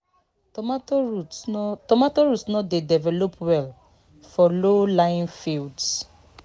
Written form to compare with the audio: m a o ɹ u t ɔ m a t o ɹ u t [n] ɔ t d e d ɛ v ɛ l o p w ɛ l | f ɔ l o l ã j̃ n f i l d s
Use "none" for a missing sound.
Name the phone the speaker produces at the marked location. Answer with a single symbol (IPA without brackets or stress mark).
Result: n